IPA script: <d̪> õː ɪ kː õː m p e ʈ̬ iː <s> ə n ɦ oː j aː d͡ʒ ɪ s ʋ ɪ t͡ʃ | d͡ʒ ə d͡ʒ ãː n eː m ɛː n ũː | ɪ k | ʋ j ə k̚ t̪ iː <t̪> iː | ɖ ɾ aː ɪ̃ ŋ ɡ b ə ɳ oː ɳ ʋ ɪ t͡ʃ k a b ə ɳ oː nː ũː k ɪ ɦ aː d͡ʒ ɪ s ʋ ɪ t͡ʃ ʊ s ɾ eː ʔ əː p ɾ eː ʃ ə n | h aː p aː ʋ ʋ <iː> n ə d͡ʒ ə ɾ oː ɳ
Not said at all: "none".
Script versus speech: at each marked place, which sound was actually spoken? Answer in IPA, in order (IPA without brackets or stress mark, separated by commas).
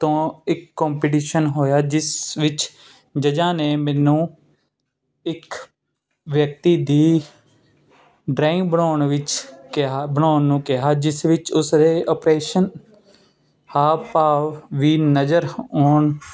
t̪, ʃ, d̪, iː